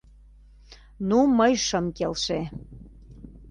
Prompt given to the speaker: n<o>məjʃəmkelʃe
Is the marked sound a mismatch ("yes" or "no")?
yes